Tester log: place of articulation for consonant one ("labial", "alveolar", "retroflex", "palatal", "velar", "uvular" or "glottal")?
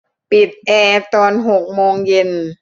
labial